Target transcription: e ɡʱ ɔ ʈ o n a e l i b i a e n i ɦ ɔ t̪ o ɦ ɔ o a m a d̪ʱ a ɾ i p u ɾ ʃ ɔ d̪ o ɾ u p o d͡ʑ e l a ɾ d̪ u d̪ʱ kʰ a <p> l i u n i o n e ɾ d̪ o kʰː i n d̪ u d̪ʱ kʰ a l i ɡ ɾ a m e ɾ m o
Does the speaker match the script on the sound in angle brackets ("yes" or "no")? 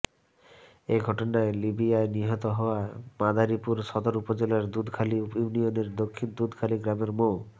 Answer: no